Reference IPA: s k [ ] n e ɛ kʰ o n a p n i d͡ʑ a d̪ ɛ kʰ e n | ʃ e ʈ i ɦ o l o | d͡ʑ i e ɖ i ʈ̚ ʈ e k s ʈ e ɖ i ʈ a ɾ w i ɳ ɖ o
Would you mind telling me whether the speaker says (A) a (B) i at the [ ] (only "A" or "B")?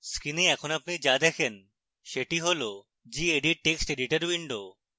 B